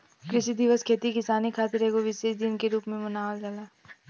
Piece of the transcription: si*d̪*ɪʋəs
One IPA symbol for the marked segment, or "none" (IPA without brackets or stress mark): d̪